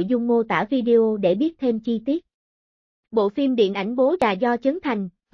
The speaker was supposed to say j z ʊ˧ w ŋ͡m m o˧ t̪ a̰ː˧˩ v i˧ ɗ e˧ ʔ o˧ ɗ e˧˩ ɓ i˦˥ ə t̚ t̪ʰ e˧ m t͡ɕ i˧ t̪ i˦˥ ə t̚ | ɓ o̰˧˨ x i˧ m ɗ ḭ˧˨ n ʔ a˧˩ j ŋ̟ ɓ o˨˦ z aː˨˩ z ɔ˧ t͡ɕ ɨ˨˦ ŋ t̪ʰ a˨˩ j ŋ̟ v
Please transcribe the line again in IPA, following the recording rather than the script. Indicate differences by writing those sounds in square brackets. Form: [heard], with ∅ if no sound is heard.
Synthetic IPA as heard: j z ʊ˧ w ŋ͡m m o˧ t̪ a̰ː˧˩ v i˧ ɗ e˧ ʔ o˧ ɗ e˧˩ ɓ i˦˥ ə t̚ t̪ʰ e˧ m t͡ɕ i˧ t̪ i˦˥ ə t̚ | ɓ o̰˧˨ [f] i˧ m ɗ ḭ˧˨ n ʔ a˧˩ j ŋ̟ ɓ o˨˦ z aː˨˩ z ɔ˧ t͡ɕ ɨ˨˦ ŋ t̪ʰ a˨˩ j ŋ̟ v

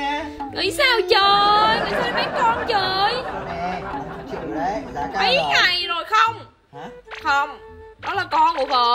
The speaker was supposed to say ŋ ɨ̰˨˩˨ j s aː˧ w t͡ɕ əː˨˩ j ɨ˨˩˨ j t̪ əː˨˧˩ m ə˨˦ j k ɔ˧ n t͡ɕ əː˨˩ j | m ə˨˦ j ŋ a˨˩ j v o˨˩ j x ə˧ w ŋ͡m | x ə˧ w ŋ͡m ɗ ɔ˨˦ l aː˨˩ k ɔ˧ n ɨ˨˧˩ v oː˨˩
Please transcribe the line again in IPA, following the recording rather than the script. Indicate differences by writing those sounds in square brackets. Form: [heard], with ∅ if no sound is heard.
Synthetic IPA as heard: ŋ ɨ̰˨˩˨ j s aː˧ w t͡ɕ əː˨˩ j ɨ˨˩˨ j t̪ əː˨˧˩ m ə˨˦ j k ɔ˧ n t͡ɕ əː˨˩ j | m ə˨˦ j ŋ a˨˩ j [z] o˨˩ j x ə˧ w ŋ͡m | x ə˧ w ŋ͡m ɗ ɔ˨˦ l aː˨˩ k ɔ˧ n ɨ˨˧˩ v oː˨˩

